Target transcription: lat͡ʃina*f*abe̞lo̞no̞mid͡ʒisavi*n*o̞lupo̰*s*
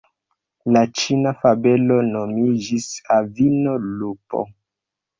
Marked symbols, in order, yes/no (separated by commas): yes, yes, no